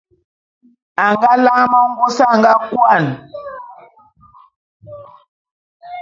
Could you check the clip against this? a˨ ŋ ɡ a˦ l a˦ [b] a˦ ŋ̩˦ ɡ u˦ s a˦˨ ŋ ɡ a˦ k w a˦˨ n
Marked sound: incorrect: m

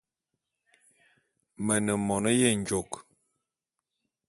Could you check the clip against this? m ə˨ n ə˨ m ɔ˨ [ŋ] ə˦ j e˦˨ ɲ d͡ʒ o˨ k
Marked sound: incorrect: n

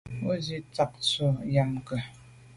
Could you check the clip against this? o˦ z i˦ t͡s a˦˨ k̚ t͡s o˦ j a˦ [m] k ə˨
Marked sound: correct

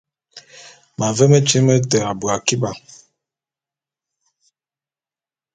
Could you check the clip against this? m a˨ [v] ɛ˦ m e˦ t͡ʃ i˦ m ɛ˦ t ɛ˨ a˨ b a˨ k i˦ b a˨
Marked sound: correct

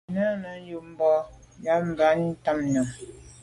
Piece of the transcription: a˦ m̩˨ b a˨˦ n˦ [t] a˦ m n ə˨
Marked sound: correct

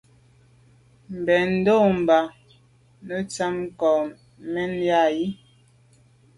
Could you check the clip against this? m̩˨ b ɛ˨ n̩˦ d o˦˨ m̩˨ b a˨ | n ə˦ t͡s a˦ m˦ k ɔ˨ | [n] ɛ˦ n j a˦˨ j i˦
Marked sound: incorrect: m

